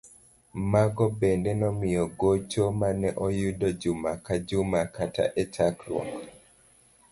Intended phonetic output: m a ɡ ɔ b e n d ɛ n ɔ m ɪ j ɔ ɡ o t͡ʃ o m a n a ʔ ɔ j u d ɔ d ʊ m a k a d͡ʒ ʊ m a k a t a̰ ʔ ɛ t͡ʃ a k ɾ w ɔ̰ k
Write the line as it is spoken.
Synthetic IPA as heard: m a ɡ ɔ b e n d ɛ n ɔ m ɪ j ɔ ɡ o t͡ʃ o m a n ɛ ʔ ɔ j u d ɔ d͡ʒ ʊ m a k a d͡ʒ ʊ m a k a t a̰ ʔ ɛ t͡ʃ a k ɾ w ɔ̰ k